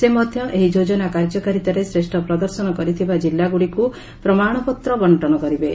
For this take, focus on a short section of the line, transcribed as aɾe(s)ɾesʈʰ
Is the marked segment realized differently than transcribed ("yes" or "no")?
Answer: no